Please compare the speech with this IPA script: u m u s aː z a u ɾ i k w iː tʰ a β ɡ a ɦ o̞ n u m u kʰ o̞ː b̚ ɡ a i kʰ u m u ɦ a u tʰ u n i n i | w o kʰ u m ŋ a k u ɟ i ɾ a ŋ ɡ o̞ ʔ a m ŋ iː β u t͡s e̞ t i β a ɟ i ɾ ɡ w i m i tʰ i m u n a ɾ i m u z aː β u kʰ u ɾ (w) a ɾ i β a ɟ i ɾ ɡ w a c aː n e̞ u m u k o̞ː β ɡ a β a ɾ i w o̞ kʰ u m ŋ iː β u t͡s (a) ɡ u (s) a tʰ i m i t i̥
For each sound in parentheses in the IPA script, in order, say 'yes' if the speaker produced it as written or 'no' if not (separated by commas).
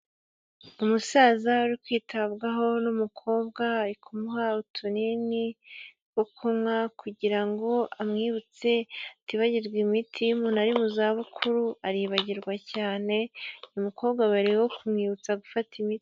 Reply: no, yes, no